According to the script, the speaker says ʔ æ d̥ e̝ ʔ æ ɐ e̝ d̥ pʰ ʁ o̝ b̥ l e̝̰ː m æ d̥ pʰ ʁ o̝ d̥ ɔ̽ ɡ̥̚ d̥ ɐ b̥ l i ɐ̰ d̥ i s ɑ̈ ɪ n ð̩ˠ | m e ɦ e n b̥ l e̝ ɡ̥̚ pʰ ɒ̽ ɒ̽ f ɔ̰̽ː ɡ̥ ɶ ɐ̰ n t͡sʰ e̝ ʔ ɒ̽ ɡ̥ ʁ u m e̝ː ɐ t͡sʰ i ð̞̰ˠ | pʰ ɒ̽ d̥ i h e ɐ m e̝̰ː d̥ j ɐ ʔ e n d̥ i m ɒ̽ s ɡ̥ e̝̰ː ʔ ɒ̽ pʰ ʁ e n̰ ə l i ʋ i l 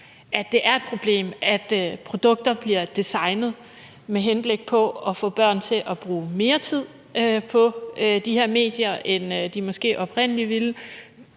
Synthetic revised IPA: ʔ æ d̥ e̝ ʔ æ ɐ e̝ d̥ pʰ ʁ o̝ b̥ l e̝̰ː m æ d̥ pʰ ʁ o̝ d̥ ɔ̽ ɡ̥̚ d̥ ɐ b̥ l i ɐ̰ d̥ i s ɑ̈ ɪ n ð̩ˠ | m e ɦ e n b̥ l e̝ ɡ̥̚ pʰ ɒ̽ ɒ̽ f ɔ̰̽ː b̥ ɶ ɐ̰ n t͡sʰ e̝ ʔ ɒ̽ b̥ ʁ uː m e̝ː ɐ t͡sʰ i ð̞̰ˠ | pʰ ɒ̽ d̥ i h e ɐ m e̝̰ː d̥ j ɐ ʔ e n d̥ i m ɒ̽ s ɡ̥ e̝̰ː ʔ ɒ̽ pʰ ʁ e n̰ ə l i ʋ i l